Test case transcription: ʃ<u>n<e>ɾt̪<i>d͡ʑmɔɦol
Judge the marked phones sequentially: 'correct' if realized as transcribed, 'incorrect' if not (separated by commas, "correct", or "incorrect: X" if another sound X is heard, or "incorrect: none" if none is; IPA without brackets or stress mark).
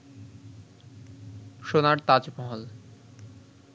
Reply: incorrect: o, incorrect: a, incorrect: a